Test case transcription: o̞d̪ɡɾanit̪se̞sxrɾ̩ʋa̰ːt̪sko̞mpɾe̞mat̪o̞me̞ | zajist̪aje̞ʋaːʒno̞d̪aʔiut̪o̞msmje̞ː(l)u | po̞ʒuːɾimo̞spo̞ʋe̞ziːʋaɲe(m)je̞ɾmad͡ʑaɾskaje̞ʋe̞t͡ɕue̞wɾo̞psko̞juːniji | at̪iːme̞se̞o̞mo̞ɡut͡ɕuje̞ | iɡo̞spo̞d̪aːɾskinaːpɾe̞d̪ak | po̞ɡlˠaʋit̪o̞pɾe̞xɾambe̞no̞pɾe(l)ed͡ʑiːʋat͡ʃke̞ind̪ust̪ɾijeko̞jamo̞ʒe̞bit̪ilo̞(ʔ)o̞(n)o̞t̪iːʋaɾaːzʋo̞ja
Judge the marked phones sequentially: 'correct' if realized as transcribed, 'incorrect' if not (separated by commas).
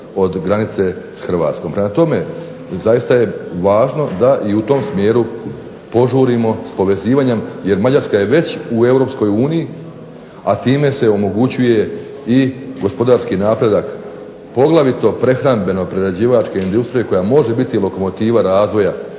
incorrect, correct, incorrect, incorrect, incorrect